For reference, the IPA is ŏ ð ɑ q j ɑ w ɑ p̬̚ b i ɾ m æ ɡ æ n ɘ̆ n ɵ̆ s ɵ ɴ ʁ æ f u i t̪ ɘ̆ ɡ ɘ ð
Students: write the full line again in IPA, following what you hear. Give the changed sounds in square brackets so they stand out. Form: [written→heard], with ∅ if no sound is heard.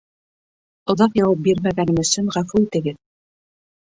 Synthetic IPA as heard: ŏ ð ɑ q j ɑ w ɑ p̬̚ b i ɾ m æ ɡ æ n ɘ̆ [n→m] ɵ̆ s ɵ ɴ ʁ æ f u i t̪ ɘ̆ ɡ ɘ ð